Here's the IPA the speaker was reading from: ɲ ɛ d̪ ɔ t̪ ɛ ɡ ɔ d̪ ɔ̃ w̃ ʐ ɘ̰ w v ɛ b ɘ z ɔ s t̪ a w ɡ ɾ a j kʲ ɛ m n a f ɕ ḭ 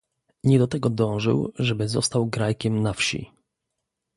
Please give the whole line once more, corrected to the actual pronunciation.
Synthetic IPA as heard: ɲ ɛ d̪ ɔ t̪ ɛ ɡ ɔ d̪ ɔ̃ w̃ ʐ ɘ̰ w ʐ ɛ b ɘ z ɔ s t̪ a w ɡ ɾ a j kʲ ɛ m n a f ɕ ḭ